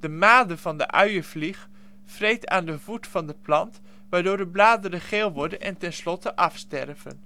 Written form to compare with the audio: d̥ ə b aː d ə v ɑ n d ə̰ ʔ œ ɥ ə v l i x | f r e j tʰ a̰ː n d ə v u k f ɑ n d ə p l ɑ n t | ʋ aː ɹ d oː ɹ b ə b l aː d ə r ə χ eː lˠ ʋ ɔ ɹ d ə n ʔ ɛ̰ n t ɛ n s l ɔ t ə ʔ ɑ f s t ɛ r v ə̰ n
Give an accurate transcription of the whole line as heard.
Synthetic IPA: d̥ ə m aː d ə v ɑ n d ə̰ ʔ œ ɥ ə v l i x | f r e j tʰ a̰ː n d ə v u t f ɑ n d ə p l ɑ n t | ʋ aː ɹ d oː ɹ d ə b l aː d ə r ə χ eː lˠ ʋ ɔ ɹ d ə n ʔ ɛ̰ n t ɛ n s l ɔ t ə ʔ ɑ f s t ɛ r v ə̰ n

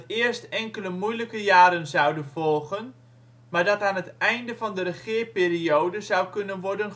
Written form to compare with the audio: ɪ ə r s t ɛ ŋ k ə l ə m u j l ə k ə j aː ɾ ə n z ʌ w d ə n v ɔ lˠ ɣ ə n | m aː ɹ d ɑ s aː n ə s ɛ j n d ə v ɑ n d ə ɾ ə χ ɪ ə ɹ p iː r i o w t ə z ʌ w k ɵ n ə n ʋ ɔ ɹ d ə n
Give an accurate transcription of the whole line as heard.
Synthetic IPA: ɪ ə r s t ɛ ŋ k ə l ə m u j l ə k ə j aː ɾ ə n z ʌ w d ə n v ɔ lˠ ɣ ə n | m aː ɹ d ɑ t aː n ə t ɛ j n d ə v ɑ n d ə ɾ ə χ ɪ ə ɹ p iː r i o w d ə z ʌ w k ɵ n ə n ʋ ɔ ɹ d ə n

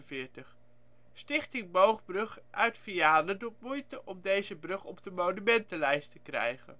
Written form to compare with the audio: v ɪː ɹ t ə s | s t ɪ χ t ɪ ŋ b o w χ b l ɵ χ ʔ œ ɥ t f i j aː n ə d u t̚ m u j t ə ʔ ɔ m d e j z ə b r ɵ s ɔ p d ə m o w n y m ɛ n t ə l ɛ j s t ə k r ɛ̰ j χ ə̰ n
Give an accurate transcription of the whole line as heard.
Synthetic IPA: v ɪː ɹ t ə χ | s t ɪ χ t ɪ ŋ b o w χ b r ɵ χ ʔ œ ɥ t f i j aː n ə d u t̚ m u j t ə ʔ ɔ m d e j z ə b r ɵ χ ɔ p d ə m o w n y m ɛ n t ə l ɛ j s t ə k r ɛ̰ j χ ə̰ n

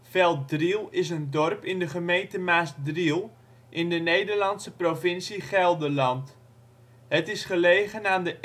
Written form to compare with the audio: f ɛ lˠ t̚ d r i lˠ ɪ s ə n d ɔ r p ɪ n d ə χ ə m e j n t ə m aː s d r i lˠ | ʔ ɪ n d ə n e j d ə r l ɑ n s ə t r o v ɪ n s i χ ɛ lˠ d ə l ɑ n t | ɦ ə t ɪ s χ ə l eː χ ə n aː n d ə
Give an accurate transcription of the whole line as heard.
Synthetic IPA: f ɛ lˠ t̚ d r i lˠ ɪ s ə n d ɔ r p ɪ n d ə χ ə m e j n t ə m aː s d r i lˠ | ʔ ɪ n d ə n e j d ə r l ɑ n s ə p r o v ɪ n s i χ ɛ lˠ d ə l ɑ n t | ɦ ə t ɪ s χ ə l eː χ ə n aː n d ə

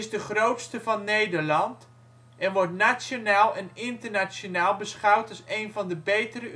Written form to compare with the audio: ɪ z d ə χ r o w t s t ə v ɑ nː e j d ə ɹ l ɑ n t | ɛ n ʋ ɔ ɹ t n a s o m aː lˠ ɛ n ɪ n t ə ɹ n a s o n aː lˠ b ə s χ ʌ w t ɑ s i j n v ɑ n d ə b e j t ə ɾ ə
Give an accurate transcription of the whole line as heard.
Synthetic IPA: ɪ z d ə χ r o w t s t ə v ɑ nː e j d ə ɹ l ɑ n t | ɛ n ʋ ɔ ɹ t n a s o n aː lˠ ɛ n ɪ n t ə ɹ n a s o n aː lˠ b ə s χ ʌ w t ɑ s e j n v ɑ n d ə b e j t ə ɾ ə

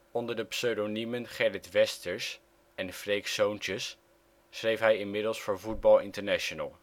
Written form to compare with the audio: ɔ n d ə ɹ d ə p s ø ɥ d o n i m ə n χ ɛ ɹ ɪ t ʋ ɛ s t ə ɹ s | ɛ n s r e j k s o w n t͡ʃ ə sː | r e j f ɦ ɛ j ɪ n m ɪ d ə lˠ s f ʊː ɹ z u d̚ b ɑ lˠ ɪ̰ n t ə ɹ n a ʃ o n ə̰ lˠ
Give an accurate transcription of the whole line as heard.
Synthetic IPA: ɔ n d ə ɹ d ə p s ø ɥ d o n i m ə n χ ɛ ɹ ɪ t ʋ ɛ s t ə ɹ s | ɛ n f r e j k s o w n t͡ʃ ə sː | r e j f ɦ ɛ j ɪ n m ɪ d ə lˠ s f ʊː ɹ v u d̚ b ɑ lˠ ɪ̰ n t ə ɹ n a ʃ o n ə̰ lˠ

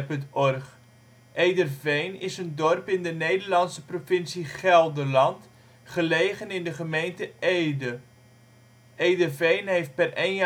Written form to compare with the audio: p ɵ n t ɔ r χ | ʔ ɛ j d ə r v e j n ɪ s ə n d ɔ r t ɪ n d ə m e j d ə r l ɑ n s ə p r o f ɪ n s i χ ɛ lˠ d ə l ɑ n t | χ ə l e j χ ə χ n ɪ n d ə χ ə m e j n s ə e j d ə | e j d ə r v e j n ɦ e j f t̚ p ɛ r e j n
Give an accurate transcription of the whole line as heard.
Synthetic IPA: p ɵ n t ɔ r χ | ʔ e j d ə r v e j n ɪ s ə n d ɔ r p ɪ n d ə n e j d ə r l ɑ n s ə p r o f ɪ n s i χ ɛ lˠ d ə l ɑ n t | χ ə l e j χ ə n ɪ n d ə χ ə m e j n t ə e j d ə | e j d ə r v e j n ɦ e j f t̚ p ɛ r e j n

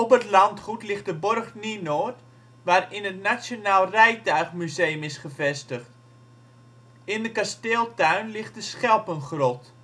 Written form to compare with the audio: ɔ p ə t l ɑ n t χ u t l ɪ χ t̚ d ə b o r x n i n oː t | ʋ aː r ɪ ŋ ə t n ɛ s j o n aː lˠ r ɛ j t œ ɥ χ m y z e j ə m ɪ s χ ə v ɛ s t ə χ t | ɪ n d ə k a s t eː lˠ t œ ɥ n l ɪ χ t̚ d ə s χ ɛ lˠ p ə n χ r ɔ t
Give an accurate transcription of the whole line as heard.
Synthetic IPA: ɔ p ə t l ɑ n t χ u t l ɪ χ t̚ d ə b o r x n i n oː t | ʋ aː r ɪ n ə t n a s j o n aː lˠ r ɛ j t œ ɥ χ m y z e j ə m ɪ s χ ə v ɛ s t ə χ t | ɪ n d ə k a s t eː lˠ t œ ɥ n l ɪ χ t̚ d ə s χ ɛ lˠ p ə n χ r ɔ t

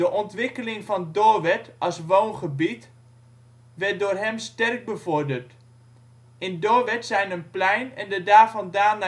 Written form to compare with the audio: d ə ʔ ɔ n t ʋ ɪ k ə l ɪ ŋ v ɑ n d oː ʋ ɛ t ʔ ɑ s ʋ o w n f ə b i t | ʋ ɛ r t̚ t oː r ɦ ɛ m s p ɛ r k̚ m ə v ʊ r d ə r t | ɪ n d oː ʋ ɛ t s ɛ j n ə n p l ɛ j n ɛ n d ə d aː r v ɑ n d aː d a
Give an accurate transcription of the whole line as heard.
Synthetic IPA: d ə ʔ ɔ n t ʋ ɪ k ə l ɪ ŋ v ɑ n d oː ʋ ɛ t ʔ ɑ s ʋ o w n χ ə b i t | ʋ ɛ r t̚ d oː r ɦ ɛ m s t ɛ r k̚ b ə v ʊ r d ə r t | ɪ n d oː ʋ ɛ t s ɛ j n ə n p l ɛ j n ɛ n d ə d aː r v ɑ n d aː n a

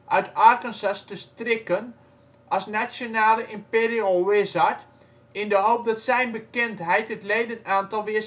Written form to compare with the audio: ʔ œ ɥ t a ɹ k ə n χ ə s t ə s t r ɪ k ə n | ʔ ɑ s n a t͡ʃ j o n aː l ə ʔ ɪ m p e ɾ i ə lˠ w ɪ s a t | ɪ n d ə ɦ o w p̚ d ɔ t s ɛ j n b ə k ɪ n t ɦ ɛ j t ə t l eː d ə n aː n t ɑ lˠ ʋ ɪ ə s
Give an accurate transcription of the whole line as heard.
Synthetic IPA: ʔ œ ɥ t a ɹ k ə n s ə s t ə s t r ɪ k ə n | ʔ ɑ s n a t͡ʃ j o n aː l ə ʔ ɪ m p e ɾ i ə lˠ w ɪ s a t | ɪ n d ə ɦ o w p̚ d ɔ t s ɛ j n b ə k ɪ n t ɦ ɛ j t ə t l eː d ə n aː n t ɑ lˠ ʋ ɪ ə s

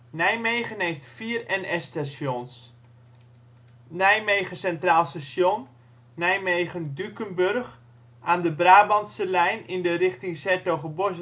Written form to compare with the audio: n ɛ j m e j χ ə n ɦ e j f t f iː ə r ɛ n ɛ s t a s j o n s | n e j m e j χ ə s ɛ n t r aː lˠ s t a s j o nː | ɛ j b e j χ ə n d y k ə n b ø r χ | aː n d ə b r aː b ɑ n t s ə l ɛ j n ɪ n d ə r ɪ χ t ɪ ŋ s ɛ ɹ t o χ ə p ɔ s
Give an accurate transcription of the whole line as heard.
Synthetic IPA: n ɛ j m e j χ ə n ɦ e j f t f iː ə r ɛ n ɛ s t a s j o n s | n ɛ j m e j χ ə s ɛ n t r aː lˠ s t a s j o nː | ɛ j m e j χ ə n d y k ə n b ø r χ | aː n d ə b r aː b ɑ n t s ə l ɛ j n ɪ n d ə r ɪ χ t ɪ ŋ s ɛ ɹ t o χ ə b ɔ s

